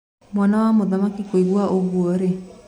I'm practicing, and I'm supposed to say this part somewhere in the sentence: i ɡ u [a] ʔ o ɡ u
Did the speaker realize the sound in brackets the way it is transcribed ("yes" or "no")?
yes